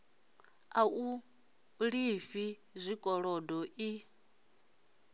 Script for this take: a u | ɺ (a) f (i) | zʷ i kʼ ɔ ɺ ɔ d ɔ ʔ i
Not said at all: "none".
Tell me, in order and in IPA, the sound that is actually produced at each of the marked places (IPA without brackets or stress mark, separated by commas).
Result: i, i